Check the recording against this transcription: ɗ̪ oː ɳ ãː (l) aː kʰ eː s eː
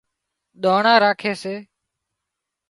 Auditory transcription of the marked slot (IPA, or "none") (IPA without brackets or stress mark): ɾ